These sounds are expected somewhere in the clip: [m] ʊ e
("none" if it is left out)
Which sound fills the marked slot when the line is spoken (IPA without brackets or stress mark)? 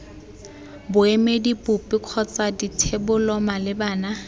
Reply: b